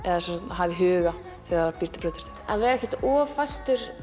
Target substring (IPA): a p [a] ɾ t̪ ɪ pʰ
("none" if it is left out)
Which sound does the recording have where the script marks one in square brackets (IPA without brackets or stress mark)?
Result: i